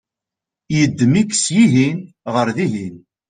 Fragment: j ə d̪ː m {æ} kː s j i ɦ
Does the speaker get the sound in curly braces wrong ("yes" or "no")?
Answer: yes